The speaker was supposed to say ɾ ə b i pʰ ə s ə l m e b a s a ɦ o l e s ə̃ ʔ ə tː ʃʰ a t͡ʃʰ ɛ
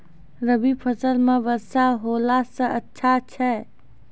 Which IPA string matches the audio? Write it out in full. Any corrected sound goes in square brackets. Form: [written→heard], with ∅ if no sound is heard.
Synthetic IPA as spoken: ɾ ə b i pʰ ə s ə l m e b [a→ə] s a ɦ o l [e→a] s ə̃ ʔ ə tː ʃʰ a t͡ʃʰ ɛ